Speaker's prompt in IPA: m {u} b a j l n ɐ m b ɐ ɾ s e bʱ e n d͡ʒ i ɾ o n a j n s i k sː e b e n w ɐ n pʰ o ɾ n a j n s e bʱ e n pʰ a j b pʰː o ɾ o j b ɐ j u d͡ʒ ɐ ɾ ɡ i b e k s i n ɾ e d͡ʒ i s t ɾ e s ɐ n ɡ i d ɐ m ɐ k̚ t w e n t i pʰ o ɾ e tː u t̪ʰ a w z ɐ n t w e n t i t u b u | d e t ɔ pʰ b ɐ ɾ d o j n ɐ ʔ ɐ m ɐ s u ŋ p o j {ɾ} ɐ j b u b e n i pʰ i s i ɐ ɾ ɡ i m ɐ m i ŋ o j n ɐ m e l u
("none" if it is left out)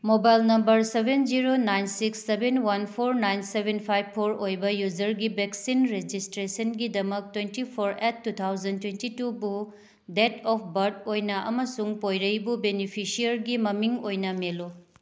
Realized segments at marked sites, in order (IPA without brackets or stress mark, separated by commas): o, ɾ